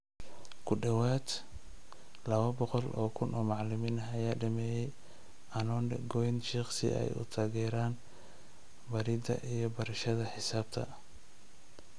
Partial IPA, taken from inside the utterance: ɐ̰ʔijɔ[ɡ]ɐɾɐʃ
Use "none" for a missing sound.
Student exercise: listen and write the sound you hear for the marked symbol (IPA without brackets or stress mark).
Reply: b